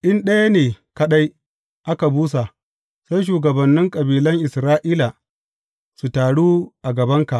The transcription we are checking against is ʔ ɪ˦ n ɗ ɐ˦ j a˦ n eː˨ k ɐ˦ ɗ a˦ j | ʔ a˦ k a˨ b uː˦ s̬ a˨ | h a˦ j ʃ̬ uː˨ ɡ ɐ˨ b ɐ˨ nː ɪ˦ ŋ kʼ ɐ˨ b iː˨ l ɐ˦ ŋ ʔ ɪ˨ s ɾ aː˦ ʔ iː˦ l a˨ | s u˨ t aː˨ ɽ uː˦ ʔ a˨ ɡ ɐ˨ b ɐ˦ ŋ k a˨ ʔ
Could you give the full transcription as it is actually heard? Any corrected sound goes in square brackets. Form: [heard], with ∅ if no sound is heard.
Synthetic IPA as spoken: ʔ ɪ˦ n ɗ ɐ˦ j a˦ n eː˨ k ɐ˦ ɗ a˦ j | ʔ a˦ k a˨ b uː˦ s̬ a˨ | [s] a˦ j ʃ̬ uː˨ ɡ ɐ˨ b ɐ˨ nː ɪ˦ ŋ kʼ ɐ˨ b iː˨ l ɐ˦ ŋ ʔ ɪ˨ s ɾ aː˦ ʔ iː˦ l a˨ | s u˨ t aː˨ ɽ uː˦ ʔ a˨ ɡ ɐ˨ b ɐ˦ ŋ k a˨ ʔ